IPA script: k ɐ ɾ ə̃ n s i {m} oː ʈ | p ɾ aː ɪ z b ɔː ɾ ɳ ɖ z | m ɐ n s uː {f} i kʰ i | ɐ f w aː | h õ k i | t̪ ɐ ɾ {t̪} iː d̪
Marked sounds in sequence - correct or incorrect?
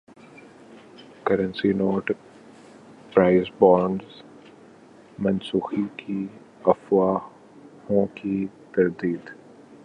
incorrect: n, incorrect: x, incorrect: d̪

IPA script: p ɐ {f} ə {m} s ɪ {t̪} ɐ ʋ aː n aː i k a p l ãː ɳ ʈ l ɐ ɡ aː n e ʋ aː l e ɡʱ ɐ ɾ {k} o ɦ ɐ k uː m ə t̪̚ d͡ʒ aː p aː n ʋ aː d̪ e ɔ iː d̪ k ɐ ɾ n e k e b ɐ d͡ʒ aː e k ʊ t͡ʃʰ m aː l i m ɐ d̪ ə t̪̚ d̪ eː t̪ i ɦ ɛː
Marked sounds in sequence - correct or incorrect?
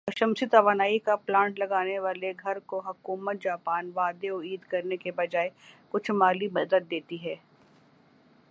incorrect: ʃ, correct, correct, correct

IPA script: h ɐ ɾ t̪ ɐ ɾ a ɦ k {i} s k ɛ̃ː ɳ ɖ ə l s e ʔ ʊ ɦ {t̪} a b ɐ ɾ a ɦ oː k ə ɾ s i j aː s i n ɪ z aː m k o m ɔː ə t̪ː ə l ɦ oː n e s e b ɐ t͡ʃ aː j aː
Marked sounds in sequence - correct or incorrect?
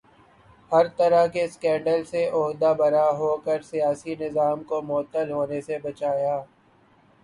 incorrect: e, incorrect: d̪

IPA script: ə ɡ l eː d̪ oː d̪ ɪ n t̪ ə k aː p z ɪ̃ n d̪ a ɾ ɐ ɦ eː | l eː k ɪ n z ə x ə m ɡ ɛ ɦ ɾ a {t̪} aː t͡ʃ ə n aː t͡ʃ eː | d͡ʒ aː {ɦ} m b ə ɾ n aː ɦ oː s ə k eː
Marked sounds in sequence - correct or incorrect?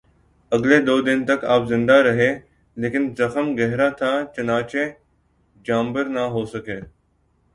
incorrect: t̪ʰ, incorrect: none

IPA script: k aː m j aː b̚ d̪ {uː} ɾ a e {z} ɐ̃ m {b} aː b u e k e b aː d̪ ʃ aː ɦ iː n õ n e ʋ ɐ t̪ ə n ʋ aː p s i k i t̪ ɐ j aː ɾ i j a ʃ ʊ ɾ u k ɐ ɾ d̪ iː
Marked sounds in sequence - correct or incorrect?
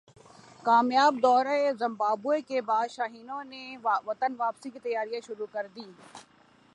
incorrect: ɔː, correct, correct

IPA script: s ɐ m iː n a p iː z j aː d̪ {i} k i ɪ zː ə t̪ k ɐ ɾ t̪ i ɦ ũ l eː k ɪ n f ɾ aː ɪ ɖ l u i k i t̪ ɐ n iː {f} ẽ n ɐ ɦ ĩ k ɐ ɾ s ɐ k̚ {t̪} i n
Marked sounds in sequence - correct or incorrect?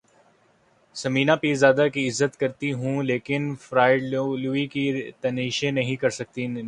incorrect: a, incorrect: ʃ, correct

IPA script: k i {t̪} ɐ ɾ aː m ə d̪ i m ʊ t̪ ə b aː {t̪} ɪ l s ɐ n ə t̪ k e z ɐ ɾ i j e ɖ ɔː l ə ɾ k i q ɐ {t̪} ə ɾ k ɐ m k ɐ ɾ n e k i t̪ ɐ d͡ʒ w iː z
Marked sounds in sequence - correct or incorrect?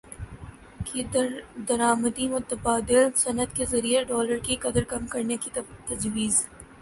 incorrect: d̪, incorrect: d̪, incorrect: d̪

